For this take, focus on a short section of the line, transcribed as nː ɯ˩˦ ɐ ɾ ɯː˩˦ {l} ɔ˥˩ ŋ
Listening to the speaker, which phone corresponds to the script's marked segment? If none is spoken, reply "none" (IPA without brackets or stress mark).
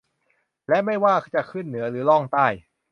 l